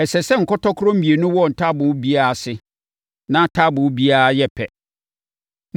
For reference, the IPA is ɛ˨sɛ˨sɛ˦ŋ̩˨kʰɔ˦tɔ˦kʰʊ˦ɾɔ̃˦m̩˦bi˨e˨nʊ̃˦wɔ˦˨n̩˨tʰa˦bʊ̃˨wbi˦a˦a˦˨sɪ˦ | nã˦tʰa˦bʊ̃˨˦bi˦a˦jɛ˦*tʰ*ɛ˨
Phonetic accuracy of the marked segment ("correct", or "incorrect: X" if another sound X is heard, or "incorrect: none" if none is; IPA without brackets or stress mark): incorrect: pʰ